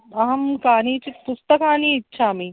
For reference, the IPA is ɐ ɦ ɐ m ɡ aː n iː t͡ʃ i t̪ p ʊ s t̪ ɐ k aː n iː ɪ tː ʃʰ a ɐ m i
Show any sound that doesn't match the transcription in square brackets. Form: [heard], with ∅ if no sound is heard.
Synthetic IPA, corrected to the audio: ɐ ɦ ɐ m [k] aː n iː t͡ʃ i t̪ p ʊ s t̪ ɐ k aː n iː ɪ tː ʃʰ a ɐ m i